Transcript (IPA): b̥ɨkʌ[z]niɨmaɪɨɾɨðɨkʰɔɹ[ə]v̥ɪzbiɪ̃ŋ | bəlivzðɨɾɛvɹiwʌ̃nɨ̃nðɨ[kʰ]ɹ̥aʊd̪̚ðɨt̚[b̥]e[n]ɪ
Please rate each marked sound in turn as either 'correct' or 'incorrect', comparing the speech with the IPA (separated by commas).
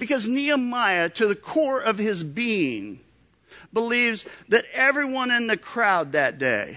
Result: correct, incorrect, correct, incorrect, incorrect